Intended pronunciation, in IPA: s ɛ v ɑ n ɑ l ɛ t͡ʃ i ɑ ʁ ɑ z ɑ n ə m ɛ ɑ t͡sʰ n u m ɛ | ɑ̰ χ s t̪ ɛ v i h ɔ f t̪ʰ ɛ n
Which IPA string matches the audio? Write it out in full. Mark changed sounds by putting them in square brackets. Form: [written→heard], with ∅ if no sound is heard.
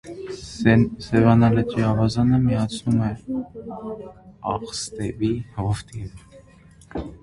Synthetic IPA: s ɛ v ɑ n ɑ l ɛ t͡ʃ i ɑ [ʁ→v] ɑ z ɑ n ə m [ɛ→i] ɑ t͡sʰ n u m ɛ | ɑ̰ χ s t̪ ɛ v i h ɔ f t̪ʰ [ɛ→i] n